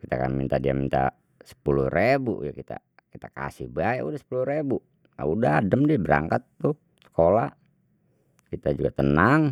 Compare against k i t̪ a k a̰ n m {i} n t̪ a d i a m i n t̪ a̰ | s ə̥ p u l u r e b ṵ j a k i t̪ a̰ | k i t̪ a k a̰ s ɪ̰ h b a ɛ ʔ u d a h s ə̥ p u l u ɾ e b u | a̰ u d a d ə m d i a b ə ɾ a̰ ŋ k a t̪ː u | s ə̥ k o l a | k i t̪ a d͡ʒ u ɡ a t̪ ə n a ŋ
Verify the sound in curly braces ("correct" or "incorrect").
correct